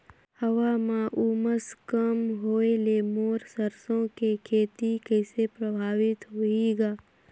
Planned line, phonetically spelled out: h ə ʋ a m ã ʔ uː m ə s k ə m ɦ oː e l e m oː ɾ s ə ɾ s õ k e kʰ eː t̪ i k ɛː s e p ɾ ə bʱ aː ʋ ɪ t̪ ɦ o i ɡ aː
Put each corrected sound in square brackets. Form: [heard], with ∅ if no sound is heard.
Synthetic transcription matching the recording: h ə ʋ a m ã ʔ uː m ə s k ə m ɦ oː e l e m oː ɾ s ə ɾ s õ k e kʰ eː t̪ i k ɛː s e p ɾ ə bʱ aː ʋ ɪ t̪ ɦ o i ɡ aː